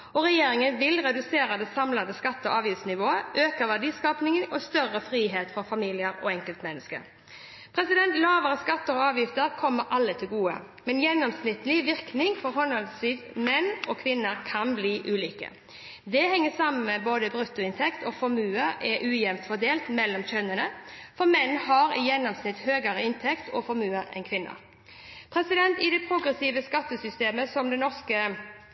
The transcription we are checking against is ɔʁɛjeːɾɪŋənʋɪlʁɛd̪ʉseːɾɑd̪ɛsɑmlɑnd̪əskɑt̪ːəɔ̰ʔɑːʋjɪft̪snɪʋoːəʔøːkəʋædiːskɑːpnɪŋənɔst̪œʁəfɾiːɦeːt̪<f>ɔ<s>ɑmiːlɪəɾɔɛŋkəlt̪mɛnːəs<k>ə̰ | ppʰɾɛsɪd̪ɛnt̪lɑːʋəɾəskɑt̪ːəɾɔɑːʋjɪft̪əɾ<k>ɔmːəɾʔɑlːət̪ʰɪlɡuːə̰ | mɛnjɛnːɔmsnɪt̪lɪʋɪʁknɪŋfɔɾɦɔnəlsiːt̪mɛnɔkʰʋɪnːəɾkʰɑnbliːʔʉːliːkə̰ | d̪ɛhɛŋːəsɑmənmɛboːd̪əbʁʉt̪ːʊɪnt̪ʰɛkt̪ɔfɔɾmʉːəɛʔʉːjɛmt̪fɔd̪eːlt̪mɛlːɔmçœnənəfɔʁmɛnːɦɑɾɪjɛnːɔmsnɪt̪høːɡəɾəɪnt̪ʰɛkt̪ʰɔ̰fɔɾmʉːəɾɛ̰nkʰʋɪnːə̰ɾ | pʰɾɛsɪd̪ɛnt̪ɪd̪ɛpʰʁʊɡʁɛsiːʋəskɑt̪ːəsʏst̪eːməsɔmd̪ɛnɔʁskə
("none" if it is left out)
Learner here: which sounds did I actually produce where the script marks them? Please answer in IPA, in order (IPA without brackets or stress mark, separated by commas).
f, f, k, kʰ